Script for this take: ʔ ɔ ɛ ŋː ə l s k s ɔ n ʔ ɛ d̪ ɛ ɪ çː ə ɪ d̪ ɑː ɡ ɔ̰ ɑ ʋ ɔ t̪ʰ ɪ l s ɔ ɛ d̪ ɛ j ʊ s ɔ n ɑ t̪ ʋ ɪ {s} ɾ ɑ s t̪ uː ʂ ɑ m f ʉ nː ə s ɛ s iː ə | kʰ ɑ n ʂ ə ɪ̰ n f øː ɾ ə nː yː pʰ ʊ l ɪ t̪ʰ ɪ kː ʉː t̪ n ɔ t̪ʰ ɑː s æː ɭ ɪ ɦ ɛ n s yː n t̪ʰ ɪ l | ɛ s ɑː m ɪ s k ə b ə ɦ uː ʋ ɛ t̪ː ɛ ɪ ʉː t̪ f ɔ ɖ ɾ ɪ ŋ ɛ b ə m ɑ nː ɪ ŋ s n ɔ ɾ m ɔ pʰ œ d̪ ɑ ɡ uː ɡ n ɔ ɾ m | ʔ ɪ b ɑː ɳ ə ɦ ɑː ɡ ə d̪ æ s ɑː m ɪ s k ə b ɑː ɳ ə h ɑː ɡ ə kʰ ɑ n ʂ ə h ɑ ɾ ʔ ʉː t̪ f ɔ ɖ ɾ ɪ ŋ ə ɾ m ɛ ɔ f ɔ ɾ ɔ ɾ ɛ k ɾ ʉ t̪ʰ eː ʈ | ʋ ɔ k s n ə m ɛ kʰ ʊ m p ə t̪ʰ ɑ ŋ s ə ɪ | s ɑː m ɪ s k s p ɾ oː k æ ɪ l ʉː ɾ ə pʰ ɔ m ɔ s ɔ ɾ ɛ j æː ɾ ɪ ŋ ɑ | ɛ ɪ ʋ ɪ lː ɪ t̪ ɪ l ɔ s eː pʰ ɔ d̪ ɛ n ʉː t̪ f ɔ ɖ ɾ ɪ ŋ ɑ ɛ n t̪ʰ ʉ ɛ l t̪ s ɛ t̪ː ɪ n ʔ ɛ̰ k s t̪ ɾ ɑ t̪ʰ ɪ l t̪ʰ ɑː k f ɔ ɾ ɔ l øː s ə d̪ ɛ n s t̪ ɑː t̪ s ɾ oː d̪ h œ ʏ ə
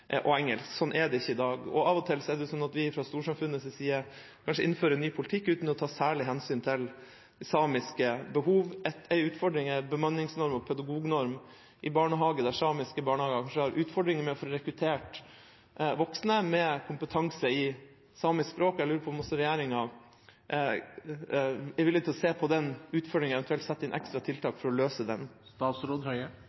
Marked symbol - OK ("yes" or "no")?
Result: no